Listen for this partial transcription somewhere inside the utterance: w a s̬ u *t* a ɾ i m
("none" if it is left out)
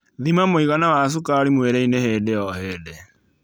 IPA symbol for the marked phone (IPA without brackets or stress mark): k